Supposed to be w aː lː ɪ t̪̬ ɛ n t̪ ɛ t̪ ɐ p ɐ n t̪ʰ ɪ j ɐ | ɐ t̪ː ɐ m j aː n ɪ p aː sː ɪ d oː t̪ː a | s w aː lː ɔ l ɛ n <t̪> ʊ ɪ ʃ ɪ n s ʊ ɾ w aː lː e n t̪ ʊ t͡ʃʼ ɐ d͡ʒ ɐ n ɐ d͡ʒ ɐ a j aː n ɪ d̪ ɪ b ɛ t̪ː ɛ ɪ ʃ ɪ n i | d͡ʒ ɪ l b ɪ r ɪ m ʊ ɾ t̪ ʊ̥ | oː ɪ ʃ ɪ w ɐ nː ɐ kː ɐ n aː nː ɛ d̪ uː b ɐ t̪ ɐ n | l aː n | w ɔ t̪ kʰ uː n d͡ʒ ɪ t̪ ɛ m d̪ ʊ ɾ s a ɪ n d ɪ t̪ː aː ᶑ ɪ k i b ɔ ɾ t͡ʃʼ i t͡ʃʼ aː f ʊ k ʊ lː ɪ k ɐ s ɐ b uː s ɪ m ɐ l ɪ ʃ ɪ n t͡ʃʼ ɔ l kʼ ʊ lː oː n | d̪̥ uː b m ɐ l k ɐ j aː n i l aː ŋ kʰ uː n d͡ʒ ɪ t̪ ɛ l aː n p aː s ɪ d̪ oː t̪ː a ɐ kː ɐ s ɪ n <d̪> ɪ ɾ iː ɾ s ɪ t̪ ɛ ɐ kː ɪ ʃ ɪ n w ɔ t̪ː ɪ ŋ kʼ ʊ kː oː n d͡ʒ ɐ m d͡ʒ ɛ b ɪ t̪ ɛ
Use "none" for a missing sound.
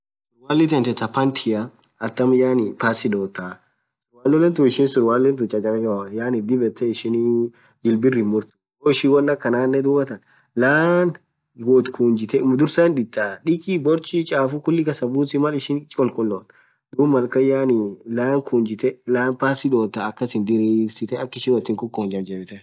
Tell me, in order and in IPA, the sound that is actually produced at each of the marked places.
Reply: t̪, d̪

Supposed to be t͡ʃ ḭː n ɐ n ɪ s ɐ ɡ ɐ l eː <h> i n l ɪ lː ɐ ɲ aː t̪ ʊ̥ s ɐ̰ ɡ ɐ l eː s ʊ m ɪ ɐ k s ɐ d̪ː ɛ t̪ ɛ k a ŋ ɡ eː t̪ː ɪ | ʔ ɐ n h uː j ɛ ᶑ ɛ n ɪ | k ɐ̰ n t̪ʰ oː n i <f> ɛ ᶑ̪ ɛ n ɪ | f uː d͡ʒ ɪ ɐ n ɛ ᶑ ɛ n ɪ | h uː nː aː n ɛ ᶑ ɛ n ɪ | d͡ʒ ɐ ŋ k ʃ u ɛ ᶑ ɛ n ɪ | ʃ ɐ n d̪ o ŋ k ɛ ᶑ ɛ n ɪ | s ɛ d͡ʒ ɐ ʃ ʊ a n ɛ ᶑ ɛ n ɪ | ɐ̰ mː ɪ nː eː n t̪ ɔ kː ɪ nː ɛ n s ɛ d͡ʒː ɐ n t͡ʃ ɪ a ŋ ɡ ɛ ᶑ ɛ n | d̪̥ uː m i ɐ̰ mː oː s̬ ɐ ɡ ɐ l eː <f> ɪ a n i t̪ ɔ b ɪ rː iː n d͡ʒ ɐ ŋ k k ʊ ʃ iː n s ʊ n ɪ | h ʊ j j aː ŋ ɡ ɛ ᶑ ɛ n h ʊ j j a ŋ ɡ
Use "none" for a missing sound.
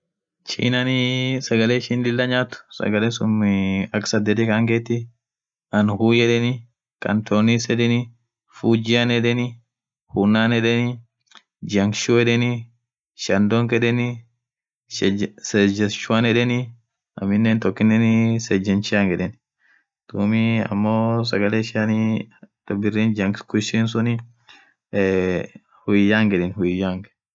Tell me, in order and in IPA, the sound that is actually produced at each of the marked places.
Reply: ʃ, s, ʃ

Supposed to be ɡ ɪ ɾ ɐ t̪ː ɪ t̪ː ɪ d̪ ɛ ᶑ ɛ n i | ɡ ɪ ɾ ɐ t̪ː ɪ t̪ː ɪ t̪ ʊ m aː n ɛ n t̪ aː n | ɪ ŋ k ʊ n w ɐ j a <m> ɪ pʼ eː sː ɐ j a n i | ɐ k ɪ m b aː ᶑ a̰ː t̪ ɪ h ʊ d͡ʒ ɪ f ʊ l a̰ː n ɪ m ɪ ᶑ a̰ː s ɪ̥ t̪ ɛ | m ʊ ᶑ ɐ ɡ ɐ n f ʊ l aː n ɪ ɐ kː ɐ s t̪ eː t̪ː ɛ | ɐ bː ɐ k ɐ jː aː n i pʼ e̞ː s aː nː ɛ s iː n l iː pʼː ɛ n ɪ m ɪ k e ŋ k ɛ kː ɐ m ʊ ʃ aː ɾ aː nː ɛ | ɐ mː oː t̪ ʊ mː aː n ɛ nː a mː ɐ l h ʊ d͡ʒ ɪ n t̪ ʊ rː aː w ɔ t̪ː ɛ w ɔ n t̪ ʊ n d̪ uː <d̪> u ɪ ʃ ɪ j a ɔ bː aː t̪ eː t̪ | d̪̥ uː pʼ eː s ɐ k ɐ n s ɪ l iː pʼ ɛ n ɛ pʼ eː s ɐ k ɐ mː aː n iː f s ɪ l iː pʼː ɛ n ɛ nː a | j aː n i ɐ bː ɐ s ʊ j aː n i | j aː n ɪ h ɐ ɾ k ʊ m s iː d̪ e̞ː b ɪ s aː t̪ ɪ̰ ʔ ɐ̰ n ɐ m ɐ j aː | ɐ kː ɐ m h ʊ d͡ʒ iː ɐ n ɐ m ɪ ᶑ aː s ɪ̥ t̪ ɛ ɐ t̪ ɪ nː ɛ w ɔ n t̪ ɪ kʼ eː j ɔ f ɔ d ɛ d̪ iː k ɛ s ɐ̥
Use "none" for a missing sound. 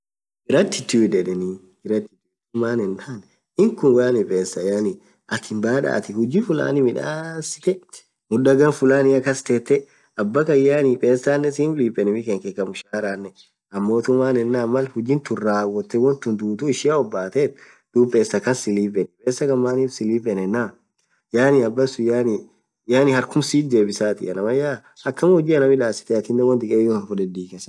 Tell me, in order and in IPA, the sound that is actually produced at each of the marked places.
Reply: n, t̪

